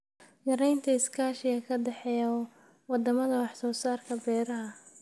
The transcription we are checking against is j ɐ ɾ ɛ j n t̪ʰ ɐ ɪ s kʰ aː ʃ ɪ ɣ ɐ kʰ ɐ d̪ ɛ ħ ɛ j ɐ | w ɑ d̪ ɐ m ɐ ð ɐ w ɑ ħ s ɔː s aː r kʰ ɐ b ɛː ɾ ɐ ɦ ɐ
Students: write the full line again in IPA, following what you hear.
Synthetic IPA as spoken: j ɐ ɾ ɛ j n t̪ʰ ɐ ɪ s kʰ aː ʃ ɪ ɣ ɐ kʰ ɐ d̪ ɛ ħ ɛ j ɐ | w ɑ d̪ ɐ m ɐ ð ɐ w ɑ ħ s ɔː s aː r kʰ ɐ b ɛː ɾ ɐ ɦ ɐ